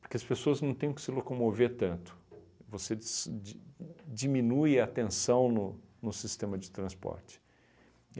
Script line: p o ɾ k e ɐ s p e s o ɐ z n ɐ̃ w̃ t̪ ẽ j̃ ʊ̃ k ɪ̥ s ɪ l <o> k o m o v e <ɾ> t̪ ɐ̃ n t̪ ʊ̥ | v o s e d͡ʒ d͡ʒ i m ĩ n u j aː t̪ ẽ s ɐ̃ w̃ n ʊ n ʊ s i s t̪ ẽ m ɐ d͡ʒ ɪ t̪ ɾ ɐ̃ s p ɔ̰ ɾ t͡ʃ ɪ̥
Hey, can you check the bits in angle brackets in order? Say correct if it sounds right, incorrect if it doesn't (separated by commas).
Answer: correct, correct